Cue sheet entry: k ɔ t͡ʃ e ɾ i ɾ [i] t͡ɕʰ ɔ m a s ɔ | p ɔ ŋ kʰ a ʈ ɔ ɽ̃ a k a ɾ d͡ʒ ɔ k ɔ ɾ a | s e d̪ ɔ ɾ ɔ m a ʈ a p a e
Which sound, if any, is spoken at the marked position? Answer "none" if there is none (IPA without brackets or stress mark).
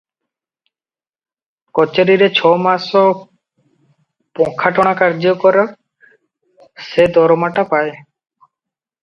e